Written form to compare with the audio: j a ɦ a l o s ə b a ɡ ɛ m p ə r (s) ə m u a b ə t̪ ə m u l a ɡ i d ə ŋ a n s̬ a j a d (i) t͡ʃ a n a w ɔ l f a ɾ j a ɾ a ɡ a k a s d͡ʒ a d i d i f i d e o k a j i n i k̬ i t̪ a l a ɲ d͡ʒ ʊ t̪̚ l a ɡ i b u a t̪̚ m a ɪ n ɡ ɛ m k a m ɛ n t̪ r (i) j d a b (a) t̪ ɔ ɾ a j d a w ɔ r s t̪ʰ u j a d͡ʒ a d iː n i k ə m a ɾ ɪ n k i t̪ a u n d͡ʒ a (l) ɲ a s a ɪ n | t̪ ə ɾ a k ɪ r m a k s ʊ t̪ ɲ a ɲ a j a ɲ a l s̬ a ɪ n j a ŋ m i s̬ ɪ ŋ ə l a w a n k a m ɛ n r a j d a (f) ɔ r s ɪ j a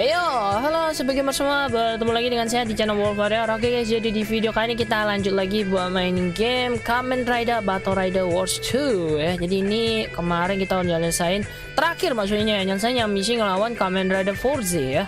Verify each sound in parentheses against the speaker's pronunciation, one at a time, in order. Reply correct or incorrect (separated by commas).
correct, correct, incorrect, correct, correct, correct